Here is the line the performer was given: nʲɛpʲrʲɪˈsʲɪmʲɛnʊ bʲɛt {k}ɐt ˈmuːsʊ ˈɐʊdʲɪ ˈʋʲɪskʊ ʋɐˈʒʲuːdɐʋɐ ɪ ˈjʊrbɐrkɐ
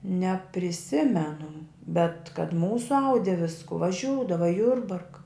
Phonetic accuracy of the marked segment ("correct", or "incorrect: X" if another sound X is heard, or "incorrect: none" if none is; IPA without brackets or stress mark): correct